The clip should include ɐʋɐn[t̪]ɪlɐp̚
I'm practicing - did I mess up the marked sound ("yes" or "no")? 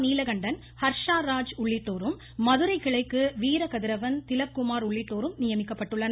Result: no